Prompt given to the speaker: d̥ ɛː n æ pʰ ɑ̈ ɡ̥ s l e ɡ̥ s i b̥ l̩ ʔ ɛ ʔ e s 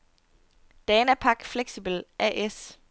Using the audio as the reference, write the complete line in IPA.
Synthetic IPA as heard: d̥ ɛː n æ pʰ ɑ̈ ɡ̥ f l e ɡ̥ s i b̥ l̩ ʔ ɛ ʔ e s